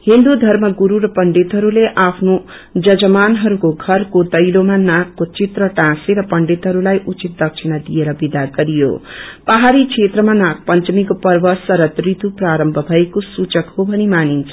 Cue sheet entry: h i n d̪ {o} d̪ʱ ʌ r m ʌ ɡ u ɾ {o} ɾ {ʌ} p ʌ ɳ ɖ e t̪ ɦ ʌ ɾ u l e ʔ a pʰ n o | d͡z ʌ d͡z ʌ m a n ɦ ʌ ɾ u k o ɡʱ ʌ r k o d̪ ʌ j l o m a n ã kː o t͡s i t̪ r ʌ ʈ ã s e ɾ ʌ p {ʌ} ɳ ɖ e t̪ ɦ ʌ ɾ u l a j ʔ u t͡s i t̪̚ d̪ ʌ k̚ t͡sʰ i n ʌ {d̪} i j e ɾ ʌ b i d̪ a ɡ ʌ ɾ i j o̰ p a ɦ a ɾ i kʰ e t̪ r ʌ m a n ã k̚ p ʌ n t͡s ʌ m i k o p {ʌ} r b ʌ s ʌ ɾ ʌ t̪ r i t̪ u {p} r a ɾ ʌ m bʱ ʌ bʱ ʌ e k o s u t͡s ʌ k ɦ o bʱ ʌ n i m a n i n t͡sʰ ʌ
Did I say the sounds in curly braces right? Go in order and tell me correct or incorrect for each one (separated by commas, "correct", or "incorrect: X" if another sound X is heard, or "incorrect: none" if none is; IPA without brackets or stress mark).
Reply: incorrect: u, incorrect: u, correct, correct, correct, correct, correct